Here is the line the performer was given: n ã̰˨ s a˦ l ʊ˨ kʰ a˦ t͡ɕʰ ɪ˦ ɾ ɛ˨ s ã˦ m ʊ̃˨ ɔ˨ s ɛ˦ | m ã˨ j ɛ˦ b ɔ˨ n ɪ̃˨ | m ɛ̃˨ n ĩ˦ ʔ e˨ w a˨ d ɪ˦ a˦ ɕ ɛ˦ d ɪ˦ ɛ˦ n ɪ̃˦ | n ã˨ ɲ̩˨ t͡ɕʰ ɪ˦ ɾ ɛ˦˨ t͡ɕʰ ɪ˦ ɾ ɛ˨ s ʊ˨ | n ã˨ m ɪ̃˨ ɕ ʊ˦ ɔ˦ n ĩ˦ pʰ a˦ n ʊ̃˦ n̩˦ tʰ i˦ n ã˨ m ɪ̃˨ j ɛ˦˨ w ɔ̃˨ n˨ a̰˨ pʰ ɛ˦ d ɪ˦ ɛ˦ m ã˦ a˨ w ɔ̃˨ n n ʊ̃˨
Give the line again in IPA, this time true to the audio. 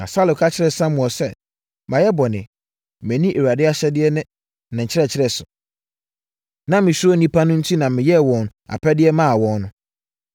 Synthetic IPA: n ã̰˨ s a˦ l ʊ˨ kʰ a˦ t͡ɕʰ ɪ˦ ɾ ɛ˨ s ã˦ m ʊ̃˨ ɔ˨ s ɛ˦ | m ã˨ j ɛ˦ b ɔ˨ n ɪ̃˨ | m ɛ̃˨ n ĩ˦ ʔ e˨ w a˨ d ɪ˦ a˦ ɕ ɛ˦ d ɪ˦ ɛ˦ n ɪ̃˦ | n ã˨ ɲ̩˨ t͡ɕʰ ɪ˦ ɾ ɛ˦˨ t͡ɕʰ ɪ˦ ɾ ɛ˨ s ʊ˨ | n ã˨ m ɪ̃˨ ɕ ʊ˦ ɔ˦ n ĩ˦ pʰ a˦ n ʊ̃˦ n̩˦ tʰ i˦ n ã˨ m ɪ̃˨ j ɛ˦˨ w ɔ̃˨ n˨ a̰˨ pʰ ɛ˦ d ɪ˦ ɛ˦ m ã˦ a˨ w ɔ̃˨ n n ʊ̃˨